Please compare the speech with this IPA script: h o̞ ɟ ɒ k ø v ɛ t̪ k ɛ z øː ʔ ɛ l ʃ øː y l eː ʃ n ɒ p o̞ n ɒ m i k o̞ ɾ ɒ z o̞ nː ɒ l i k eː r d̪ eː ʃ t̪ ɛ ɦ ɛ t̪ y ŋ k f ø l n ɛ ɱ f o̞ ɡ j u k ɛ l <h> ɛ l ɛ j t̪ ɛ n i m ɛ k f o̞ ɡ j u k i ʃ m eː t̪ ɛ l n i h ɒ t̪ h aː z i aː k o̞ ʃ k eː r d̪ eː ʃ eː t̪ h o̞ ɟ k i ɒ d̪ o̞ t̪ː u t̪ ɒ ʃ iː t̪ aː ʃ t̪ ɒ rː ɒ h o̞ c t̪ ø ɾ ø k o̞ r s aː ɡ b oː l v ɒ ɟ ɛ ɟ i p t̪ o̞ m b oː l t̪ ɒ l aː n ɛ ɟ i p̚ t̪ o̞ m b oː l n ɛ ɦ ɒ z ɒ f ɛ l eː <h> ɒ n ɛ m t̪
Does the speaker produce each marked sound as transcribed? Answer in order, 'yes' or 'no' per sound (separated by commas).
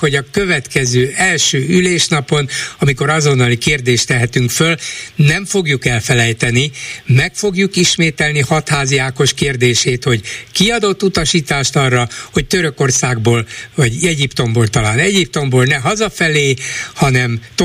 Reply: no, yes